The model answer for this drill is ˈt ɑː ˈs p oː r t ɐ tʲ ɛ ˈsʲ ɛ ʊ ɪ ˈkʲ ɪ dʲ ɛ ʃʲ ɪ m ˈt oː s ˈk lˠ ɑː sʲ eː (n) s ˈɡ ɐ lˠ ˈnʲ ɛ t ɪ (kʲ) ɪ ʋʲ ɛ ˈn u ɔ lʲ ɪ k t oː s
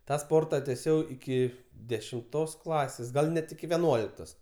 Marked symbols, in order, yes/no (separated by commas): no, yes